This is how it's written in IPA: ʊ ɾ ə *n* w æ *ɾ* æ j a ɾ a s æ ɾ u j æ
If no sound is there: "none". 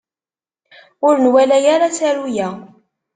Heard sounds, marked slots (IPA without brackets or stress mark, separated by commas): n, l